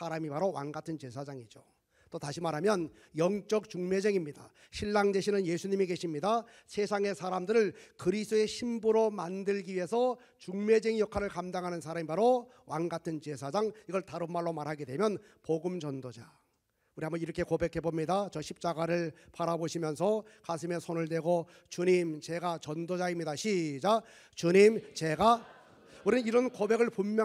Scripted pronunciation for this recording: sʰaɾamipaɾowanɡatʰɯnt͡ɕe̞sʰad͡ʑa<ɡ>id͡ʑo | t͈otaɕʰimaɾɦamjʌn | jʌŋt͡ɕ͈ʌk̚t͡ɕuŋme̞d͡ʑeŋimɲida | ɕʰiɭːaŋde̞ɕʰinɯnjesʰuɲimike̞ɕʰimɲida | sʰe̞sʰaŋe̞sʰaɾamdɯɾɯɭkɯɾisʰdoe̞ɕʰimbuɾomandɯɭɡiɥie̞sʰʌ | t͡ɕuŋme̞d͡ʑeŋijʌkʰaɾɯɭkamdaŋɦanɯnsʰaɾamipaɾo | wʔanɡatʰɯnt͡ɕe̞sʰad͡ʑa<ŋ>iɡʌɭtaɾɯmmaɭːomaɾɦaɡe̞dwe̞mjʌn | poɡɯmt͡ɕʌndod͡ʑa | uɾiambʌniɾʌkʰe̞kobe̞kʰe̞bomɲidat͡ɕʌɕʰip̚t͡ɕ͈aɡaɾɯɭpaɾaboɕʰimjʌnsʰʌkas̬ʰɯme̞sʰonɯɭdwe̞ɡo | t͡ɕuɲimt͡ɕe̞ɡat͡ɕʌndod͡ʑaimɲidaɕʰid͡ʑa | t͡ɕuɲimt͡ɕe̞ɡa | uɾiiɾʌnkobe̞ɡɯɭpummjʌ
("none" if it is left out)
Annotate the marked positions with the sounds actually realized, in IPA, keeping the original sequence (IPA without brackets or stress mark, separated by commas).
ŋ, ŋ